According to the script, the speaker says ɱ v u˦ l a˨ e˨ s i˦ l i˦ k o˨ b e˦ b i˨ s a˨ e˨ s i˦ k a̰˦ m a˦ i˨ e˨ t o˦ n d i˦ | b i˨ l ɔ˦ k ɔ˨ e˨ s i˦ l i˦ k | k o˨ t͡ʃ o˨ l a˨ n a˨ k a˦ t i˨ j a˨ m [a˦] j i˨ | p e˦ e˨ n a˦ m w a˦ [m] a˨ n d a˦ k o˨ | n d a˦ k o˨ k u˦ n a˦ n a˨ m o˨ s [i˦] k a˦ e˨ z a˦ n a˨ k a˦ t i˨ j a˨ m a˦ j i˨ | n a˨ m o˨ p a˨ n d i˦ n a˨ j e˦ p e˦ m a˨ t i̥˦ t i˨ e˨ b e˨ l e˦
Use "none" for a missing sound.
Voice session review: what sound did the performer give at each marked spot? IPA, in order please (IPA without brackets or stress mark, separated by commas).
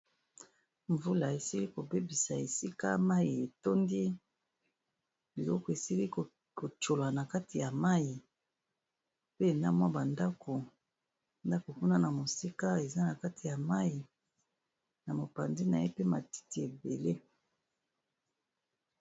a˦, b, i˦